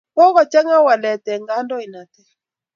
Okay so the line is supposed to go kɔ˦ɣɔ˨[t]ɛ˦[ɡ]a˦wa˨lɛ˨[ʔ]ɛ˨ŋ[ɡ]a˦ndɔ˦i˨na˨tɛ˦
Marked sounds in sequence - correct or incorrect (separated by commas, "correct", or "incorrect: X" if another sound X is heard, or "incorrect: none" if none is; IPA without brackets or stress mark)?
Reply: incorrect: t͡ʃ, incorrect: ŋ, incorrect: t, correct